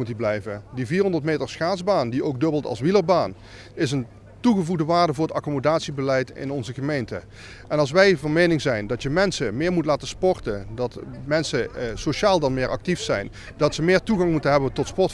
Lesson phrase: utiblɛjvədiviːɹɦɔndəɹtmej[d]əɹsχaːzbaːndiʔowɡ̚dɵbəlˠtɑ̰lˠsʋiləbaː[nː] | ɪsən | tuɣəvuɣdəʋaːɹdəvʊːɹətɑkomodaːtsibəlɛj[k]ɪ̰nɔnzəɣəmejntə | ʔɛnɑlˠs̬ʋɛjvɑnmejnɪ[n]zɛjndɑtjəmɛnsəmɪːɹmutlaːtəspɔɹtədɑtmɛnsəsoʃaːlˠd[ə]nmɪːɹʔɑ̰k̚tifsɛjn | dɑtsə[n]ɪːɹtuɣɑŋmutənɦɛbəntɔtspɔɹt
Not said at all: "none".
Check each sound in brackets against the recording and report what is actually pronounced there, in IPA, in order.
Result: t, n, t, ŋ, ɑ, m

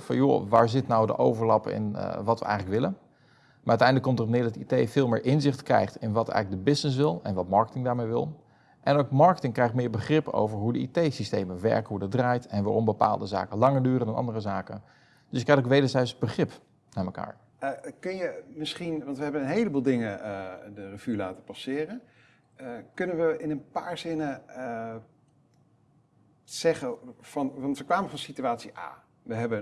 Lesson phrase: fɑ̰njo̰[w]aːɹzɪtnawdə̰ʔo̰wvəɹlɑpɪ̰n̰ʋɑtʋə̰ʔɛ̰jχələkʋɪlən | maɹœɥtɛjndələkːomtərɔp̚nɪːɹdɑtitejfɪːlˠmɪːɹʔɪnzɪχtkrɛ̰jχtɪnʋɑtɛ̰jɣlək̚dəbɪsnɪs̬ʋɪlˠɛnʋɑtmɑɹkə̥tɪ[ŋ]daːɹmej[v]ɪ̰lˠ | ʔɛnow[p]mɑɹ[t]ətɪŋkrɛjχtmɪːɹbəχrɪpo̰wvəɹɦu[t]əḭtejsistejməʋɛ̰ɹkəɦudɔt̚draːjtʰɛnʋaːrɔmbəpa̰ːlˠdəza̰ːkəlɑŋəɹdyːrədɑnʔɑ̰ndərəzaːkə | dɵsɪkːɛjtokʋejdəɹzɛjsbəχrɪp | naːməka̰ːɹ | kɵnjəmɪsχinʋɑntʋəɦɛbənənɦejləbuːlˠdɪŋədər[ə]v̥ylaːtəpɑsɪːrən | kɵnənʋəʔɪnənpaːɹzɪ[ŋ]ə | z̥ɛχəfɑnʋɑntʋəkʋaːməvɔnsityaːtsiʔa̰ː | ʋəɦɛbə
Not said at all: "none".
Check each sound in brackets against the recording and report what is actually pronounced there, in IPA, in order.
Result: ʋ, ŋ, ʋ, k, k, d, ə, n

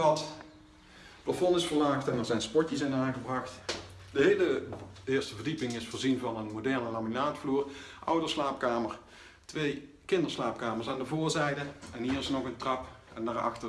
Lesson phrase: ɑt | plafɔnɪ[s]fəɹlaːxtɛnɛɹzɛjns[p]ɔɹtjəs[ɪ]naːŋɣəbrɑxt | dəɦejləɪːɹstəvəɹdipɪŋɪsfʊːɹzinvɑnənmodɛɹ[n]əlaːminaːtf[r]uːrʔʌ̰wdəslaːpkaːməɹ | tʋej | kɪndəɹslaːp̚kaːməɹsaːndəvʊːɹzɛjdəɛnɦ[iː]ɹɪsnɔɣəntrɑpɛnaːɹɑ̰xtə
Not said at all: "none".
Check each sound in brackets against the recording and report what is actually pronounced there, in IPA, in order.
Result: s, p, ɪ, n, l, iː

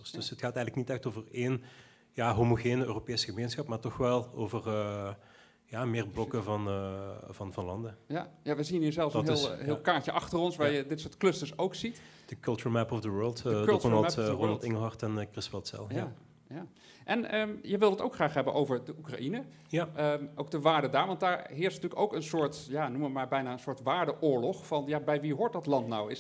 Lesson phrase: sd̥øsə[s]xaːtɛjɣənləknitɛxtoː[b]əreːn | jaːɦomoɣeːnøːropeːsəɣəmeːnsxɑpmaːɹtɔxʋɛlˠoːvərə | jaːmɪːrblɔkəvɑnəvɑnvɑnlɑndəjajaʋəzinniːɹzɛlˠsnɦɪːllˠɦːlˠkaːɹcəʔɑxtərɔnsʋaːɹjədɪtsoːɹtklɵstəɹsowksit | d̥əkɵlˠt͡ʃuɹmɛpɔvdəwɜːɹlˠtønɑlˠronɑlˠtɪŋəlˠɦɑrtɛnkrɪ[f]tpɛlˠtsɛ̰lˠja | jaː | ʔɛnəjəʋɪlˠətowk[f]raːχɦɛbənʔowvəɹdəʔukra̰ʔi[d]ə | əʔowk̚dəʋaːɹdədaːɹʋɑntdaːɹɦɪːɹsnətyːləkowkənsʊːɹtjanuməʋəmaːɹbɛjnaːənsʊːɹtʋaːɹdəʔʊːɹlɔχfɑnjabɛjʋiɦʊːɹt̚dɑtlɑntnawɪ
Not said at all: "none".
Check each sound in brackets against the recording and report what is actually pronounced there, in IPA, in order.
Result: t, v, s, χ, n

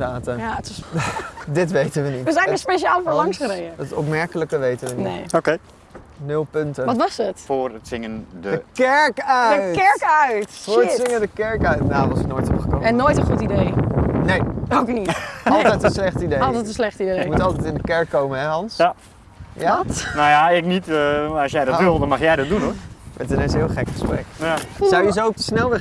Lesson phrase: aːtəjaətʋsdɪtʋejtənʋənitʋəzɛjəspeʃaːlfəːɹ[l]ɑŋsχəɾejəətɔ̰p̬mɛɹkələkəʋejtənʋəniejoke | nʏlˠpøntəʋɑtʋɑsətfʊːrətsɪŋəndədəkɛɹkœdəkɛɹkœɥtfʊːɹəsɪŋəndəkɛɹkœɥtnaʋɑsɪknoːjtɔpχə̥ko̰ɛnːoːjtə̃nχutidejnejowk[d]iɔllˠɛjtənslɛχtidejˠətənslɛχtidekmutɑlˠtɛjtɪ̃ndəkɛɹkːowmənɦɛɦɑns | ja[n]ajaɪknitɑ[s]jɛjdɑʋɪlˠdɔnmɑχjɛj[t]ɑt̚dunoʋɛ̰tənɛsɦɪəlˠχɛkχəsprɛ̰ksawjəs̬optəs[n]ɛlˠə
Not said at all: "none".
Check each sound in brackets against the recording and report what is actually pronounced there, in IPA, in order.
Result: l, n, n, s, d, n

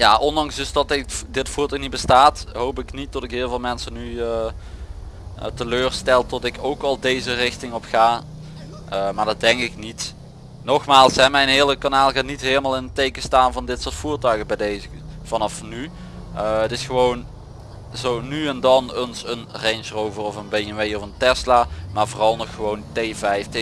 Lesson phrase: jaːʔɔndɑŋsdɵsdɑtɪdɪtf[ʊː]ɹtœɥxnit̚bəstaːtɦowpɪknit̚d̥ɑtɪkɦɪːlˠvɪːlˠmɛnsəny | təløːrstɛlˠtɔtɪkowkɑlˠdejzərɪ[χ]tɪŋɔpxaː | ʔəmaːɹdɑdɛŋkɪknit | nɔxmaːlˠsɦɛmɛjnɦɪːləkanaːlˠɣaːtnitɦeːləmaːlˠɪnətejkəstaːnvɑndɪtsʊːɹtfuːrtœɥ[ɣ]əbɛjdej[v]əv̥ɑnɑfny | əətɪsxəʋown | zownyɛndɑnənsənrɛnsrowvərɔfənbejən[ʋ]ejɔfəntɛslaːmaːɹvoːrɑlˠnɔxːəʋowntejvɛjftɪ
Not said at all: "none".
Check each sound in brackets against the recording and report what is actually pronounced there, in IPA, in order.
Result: uː, x, ɣ, z, ʋ

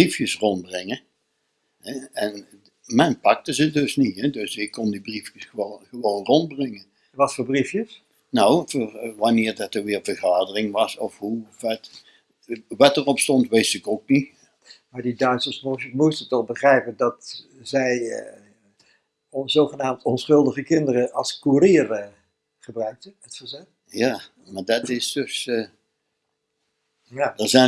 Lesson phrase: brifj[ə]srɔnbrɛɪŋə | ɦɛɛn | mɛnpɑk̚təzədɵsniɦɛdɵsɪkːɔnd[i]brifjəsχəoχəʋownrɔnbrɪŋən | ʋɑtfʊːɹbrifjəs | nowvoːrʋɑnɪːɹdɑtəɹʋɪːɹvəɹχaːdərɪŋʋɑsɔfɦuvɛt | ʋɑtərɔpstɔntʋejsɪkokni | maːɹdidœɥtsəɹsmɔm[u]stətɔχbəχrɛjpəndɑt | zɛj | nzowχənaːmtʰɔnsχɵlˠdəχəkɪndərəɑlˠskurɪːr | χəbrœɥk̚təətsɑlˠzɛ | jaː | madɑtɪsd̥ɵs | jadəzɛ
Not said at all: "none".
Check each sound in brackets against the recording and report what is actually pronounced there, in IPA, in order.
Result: ə, i, u

